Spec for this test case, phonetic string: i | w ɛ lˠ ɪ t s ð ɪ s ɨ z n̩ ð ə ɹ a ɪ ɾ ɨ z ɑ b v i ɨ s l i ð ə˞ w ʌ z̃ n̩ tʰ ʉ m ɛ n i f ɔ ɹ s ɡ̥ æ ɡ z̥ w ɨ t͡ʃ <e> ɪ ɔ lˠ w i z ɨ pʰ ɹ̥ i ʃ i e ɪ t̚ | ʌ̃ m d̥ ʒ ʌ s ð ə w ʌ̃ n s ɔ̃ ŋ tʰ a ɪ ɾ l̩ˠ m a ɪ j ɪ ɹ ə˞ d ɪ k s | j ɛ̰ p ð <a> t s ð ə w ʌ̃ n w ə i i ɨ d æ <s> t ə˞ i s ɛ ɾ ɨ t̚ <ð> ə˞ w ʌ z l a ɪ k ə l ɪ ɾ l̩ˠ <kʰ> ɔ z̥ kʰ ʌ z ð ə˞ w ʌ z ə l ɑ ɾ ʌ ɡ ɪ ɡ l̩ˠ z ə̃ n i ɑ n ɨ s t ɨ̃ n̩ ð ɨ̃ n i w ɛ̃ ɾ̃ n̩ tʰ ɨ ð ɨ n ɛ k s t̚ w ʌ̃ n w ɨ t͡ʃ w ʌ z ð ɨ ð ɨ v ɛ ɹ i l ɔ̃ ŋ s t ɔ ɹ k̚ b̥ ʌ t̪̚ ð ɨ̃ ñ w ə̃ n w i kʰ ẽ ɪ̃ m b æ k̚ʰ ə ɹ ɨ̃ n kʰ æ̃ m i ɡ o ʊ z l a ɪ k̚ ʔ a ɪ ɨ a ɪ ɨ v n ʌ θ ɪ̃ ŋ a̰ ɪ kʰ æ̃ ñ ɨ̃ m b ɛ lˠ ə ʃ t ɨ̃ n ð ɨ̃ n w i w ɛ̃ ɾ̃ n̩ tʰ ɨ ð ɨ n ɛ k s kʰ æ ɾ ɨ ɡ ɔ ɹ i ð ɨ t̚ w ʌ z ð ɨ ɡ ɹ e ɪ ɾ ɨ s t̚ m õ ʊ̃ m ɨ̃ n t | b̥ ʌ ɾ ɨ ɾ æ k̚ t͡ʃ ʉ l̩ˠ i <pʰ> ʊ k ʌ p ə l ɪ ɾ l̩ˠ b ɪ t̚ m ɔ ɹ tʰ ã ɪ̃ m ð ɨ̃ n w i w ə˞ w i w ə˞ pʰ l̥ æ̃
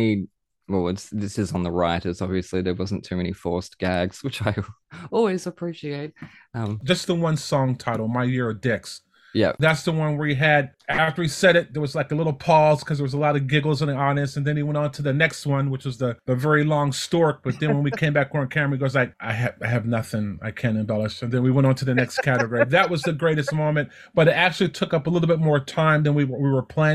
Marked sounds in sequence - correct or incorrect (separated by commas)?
incorrect, incorrect, incorrect, correct, incorrect, incorrect